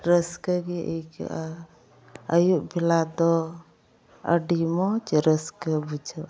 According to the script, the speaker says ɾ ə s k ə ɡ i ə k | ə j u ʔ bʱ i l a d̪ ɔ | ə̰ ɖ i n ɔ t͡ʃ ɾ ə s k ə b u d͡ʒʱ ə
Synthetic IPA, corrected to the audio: ɾ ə s k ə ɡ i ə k | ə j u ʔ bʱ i l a d̪ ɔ | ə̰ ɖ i m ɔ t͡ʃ ɾ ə s k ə b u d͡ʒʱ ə